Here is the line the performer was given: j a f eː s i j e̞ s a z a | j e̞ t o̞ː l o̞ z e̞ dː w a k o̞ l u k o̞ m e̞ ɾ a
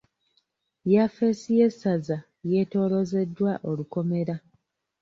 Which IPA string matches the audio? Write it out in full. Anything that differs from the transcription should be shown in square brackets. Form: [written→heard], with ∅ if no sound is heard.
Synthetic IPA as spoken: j a f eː s i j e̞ s a z a | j e̞ t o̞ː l o̞ z e̞ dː w a [k→ʔ] o̞ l u k o̞ m e̞ ɾ a